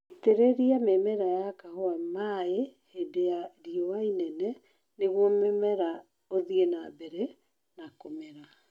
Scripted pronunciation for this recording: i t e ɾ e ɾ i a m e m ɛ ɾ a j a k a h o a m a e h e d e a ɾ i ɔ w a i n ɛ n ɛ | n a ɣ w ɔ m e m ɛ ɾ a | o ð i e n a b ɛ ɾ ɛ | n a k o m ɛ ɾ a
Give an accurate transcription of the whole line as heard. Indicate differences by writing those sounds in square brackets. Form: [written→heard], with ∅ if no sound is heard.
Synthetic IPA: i t e ɾ e ɾ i a m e m ɛ ɾ a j a k a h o a m a e h e d e a ɾ i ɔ w a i n ɛ n ɛ | n [a→e] ɣ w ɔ m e m ɛ ɾ a | o ð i e n a b ɛ ɾ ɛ | n a k o m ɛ ɾ a